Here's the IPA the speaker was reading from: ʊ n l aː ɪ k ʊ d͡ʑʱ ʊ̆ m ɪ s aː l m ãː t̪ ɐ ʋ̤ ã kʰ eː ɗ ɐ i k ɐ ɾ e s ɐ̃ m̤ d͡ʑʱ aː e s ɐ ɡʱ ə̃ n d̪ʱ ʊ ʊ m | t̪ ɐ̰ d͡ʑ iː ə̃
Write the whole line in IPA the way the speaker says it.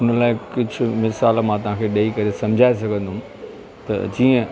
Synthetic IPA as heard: ʊ n l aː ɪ k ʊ d͡ʑʱ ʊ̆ m ɪ s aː l m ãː t̪ ɐ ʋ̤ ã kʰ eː ɗ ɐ i k ɐ ɾ e s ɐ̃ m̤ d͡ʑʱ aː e s ɐ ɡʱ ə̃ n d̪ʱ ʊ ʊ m | t̪ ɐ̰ d͡ʑ iː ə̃

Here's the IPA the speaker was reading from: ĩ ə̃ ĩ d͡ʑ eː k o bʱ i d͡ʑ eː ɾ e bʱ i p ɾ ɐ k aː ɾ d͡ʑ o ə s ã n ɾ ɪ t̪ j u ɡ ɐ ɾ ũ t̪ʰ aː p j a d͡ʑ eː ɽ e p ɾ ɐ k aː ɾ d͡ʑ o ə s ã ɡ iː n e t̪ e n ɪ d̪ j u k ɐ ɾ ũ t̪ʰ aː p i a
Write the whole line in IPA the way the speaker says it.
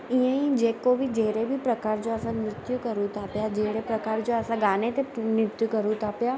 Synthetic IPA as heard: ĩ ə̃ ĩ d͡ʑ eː k o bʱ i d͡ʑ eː ɾ e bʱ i p ɾ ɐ k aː ɾ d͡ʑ o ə s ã n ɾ ɪ t̪ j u k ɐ ɾ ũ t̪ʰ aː p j a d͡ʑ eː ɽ e p ɾ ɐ k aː ɾ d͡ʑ o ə s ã ɡ aː n e t̪ e n ɪ t̪ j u k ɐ ɾ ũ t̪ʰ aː p j a

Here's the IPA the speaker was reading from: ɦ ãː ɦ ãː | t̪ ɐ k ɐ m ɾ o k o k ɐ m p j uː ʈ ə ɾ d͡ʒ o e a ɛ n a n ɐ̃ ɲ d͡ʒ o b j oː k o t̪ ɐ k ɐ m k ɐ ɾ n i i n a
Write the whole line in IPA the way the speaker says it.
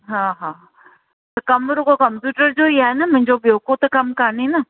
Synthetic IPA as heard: ɦ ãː ɦ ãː | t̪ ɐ k ɐ m ɾ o k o k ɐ m p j uː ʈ ə ɾ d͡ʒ o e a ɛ n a m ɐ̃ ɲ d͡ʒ o b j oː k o t̪ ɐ k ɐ m k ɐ ɾ n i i n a

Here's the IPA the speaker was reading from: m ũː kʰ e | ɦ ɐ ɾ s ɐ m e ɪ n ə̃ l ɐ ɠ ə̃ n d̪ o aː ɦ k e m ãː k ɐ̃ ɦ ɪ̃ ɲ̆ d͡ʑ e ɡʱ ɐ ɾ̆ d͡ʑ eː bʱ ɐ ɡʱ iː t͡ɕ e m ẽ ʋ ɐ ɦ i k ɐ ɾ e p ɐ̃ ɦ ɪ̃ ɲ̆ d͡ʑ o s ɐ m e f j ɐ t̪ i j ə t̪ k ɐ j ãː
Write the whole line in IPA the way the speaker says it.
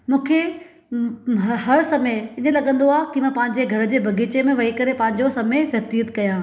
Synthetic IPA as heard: m ũː kʰ e | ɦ ɐ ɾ s ɐ m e ɪ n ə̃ l ɐ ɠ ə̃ n d̪ o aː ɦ k i m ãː p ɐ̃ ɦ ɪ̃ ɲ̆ d͡ʑ e ɡʱ ɐ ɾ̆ d͡ʑ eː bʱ ɐ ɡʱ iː t͡ɕ e m ẽ ʋ ɐ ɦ i k ɐ ɾ e p ɐ̃ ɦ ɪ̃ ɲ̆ d͡ʑ o s ɐ m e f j ɐ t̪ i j ə t̪ k ɐ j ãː

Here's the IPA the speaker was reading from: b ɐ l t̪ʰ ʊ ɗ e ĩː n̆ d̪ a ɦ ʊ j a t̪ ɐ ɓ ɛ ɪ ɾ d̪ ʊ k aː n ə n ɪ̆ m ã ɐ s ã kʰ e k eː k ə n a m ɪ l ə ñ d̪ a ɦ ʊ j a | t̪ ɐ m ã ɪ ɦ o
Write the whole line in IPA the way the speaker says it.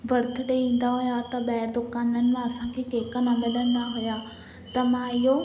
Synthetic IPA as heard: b ɐ ɾ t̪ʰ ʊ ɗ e ĩː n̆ d̪ a ɦ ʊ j a t̪ ɐ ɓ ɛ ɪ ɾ d̪ ʊ k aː n ə n ɪ̆ m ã ɐ s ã kʰ e k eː k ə n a m ɪ l ə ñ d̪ a ɦ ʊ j a | t̪ ɐ m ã ɪ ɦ o

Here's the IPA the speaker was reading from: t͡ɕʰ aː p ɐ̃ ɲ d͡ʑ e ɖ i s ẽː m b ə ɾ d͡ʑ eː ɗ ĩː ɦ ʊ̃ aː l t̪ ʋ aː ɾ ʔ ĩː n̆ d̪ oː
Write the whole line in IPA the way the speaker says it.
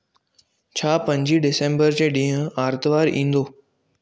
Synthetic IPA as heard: t͡ɕʰ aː p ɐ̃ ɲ d͡ʑ i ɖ ɪ s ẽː m b ə ɾ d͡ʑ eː ɗ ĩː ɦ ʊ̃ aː ɾ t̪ ʋ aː ɾ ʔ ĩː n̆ d̪ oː

